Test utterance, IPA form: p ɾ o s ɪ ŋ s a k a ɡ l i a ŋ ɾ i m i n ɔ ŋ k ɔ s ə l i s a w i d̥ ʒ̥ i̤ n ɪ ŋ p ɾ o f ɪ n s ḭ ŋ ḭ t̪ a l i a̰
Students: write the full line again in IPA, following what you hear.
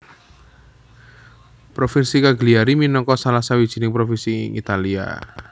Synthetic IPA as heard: p ɾ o f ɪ n s i k a ɡ l i a ɾ i m i n ɔ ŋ k ɔ s a l a s a w i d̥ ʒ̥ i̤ n ɪ ŋ p ɾ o f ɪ n s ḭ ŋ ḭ t̪ a l i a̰